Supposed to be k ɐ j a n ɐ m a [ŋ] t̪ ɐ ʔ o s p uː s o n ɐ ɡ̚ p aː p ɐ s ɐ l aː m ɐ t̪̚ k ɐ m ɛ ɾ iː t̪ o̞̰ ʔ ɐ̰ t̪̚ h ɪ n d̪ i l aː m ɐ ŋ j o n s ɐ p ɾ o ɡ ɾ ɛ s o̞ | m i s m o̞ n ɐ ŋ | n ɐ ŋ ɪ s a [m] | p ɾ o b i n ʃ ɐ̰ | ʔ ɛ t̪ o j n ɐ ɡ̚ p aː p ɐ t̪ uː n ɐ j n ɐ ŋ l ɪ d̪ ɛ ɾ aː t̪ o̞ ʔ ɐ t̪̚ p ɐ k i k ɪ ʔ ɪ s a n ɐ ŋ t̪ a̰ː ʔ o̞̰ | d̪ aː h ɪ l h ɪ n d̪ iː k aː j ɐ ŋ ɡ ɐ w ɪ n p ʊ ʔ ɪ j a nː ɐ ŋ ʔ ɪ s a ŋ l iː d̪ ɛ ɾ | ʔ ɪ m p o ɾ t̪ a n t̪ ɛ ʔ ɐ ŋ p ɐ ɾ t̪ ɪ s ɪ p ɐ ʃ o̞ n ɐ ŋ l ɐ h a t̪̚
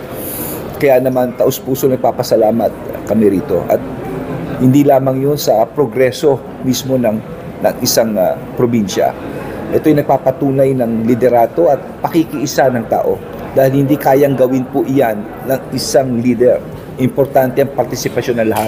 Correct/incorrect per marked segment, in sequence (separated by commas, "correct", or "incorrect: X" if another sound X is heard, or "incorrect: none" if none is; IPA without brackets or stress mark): incorrect: n, incorrect: ŋ